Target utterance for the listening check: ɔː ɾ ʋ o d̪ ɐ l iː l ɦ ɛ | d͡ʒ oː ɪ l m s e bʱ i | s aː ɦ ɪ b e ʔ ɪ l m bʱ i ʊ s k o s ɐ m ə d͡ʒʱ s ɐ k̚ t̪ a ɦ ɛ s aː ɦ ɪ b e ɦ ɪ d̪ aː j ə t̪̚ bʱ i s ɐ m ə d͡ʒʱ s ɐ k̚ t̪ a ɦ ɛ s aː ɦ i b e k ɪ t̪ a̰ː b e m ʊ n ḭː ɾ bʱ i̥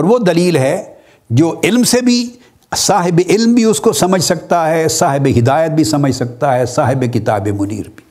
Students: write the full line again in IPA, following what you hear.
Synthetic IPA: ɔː ɾ ʋ o d̪ ɐ l iː l ɦ ɛ | d͡ʒ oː ɪ l m s e bʱ i | s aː ɦ ɪ b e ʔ ɪ l m bʱ i ʊ s k o s ɐ m ə d͡ʒʱ s ɐ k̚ t̪ a ɦ ɛ s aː ɦ ɪ b e ɦ ɪ d̪ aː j ə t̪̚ bʱ i s ɐ m ə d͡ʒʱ s ɐ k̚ t̪ a ɦ ɛ s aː ɦ ɪ b e k ɪ t̪ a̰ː b e m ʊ n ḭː ɾ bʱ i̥